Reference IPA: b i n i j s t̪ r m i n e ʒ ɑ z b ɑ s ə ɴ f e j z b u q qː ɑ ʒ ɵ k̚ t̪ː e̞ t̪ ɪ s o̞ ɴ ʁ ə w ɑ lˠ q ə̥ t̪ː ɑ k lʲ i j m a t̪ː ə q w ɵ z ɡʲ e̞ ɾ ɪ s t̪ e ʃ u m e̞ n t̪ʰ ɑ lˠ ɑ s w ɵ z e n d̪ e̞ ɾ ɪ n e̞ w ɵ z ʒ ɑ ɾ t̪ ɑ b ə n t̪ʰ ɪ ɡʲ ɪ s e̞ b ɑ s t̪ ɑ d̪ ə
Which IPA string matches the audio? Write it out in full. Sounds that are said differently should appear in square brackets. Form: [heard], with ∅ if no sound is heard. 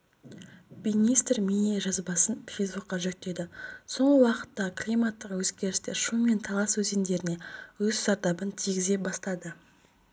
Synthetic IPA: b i n i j s t̪ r m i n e ʒ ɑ z b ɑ s ə [n] f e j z b u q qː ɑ ʒ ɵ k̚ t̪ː e̞ [d̪] ɪ s o̞ ɴ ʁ ə w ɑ [∅] q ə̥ t̪ː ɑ k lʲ i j m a t̪ː ə q w ɵ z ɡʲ e̞ ɾ ɪ s t̪ e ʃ u m e̞ n t̪ʰ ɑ lˠ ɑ s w ɵ z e n d̪ e̞ ɾ ɪ n e̞ w ɵ z ʒ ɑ ɾ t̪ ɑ b ə n t̪ʰ [i] ɡʲ ɪ [z] e̞ b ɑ s t̪ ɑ d̪ ə